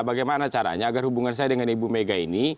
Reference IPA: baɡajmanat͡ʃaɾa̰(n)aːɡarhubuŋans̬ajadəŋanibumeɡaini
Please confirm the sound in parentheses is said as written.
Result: no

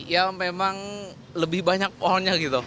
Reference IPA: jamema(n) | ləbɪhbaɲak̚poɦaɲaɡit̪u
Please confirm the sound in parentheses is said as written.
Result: no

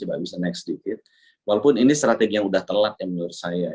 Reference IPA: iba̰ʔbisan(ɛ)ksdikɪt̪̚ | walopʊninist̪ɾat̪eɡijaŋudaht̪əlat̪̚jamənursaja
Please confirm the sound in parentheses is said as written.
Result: yes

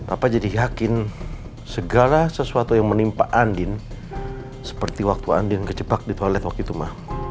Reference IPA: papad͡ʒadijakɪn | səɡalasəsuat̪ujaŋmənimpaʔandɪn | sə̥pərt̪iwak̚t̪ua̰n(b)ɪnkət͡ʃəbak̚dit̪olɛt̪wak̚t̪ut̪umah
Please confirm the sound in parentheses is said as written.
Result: no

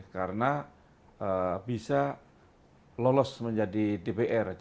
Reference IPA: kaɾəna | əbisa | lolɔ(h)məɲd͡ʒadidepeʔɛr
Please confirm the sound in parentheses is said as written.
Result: no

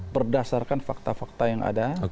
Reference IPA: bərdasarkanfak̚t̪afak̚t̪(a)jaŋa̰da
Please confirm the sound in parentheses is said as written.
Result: yes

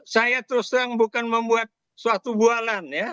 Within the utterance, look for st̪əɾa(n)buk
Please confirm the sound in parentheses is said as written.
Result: no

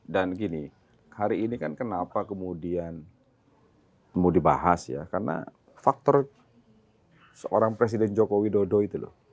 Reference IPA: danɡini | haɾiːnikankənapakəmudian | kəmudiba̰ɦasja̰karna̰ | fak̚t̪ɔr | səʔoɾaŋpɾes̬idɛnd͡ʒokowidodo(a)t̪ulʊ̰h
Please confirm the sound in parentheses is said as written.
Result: no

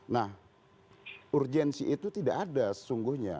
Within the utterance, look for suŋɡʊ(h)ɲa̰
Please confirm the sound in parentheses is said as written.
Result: yes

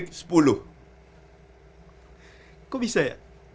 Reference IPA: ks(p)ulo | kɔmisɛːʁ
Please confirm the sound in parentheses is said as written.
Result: yes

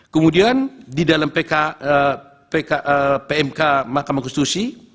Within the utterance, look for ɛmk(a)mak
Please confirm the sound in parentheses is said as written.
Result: yes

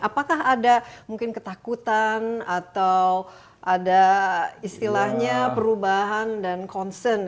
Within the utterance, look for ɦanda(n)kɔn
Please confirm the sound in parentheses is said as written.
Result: yes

